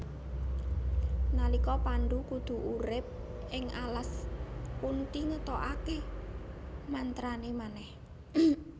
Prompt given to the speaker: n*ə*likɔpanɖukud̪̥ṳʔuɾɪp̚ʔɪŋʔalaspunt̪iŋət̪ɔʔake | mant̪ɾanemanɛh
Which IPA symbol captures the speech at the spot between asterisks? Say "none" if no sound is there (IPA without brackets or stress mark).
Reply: a